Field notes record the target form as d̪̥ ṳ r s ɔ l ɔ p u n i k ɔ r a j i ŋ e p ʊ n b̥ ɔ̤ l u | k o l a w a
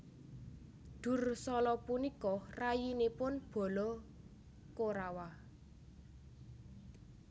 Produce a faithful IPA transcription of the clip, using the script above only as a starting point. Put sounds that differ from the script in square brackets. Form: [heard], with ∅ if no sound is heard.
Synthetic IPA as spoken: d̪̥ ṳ r s ɔ l ɔ p u n i k ɔ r a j i [n] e p ʊ n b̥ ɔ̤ l [ɔ] | k o [ɾ] a w a